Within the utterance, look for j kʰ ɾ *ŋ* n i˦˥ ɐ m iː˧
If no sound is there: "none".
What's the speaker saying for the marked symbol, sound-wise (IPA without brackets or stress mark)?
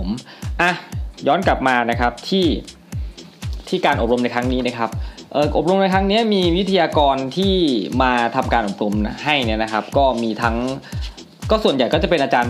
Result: ŋ